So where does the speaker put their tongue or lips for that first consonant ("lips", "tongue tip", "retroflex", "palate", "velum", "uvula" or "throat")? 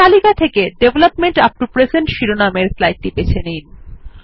tongue tip